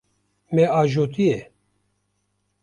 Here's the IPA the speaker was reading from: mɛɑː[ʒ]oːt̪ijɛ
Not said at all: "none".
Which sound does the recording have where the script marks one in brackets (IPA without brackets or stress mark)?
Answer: ʒ